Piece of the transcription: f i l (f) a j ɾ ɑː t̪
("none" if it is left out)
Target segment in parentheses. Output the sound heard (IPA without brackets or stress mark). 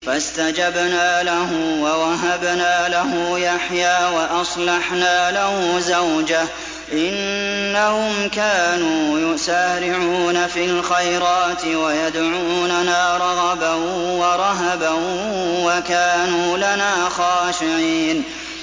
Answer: x